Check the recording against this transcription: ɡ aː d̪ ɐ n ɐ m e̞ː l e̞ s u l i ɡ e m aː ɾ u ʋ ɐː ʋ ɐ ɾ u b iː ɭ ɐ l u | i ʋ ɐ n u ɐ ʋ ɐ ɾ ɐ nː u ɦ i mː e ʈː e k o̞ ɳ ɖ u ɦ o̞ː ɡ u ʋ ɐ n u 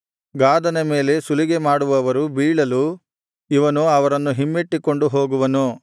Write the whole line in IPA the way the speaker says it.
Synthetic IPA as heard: ɡ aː d̪ ɐ n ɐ m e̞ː l e̞ s u l i ɡ e m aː ɽ u ʋ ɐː ʋ ɐ ɾ u b iː ɭ ɐ l u | i ʋ ɐ n u ɐ ʋ ɐ ɾ ɐ nː u ɦ i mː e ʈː i k o̞ ɳ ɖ u ɦ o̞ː ɡ u ʋ ɐ n u

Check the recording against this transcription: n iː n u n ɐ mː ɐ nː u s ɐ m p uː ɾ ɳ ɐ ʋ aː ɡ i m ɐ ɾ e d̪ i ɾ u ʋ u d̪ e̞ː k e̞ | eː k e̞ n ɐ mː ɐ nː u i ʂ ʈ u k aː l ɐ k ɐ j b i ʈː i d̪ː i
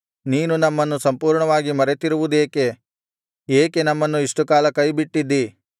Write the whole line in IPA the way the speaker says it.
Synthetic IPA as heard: n iː n u n ɐ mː ɐ nː u s ɐ m p uː ɾ ɳ ɐ ʋ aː ɡ i m ɐ ɾ e t̪ i ɾ u ʋ u d̪ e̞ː k e̞ | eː k e̞ n ɐ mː ɐ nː u i ʂ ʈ u k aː l ɐ k ɐ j b i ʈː i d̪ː i

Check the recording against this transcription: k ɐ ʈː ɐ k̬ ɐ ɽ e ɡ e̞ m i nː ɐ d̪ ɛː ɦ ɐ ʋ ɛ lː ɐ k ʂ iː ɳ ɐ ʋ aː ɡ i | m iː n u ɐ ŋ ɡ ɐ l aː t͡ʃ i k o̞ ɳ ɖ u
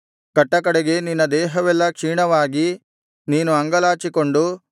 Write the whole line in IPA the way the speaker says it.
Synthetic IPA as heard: k ɐ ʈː ɐ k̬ ɐ ɽ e ɡ e̞ n i nː ɐ d̪ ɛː ɦ ɐ ʋ ɛ lː ɐ k ʂ iː ɳ ɐ ʋ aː ɡ i | n iː n u ɐ ŋ ɡ ɐ l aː t͡ʃ i k o̞ ɳ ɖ u

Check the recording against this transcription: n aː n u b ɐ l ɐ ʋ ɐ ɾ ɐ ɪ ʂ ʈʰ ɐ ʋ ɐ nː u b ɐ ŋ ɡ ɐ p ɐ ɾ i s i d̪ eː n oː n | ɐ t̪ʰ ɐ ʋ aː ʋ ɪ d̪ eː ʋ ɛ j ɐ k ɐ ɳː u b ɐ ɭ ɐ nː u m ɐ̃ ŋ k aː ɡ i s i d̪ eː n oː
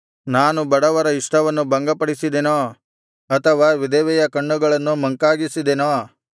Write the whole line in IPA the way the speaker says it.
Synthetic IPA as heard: n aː n u b ɐ ɽ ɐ ʋ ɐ ɾ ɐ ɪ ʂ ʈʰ ɐ ʋ ɐ nː u b ɐ ŋ ɡ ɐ p ɐ ɽ i s i d̪ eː n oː | ɐ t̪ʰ ɐ ʋ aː ʋ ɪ d̪ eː ʋ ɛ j ɐ k ɐ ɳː u ɡ ɐ ɭ ɐ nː u m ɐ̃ ŋ k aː ɡ i s i d̪ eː n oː

